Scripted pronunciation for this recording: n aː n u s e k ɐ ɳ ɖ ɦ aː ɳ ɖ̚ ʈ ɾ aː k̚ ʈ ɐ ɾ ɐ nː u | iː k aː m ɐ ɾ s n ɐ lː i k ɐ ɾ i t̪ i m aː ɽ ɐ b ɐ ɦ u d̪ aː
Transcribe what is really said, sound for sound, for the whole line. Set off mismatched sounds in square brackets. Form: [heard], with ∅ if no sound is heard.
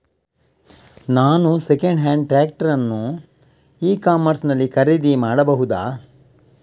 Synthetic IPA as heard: n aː n u s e k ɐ ɳ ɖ ɦ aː ɳ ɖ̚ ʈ ɾ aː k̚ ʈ ɐ ɾ ɐ nː u | iː k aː m ɐ ɾ s n ɐ lː i k ɐ ɾ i [d̪] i m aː ɽ ɐ b ɐ ɦ u d̪ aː